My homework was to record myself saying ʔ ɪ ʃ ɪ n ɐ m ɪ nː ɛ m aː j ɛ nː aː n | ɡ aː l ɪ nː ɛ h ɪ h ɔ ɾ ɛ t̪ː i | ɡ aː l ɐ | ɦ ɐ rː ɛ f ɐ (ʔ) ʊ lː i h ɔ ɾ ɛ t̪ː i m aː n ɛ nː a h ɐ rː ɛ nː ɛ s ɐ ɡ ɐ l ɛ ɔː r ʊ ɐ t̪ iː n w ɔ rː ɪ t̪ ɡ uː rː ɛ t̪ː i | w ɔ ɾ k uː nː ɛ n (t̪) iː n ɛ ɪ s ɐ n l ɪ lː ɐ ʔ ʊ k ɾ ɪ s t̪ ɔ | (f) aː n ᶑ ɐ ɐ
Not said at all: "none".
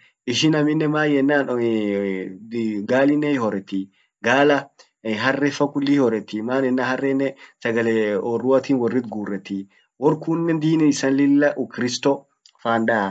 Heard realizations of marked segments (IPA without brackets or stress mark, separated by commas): k, d̪, f